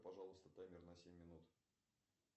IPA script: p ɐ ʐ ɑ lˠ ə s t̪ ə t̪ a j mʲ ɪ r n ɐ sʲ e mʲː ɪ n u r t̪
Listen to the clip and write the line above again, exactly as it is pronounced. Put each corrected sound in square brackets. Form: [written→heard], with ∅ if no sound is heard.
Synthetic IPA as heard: p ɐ ʐ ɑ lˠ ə s t̪ ə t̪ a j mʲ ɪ r n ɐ sʲ e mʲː ɪ n u [r→∅] t̪

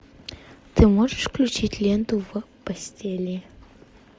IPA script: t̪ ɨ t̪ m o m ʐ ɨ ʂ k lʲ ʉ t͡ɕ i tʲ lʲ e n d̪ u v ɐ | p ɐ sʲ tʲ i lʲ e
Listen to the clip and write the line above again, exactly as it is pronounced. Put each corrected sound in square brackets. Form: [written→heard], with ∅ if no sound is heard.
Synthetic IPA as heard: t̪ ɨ [t̪→∅] m o [m→∅] ʐ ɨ ʂ k lʲ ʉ t͡ɕ i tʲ lʲ e n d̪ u v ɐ | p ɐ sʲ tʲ [i→e] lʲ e

